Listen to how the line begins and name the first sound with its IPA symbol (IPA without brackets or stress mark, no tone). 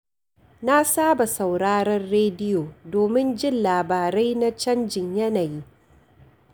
n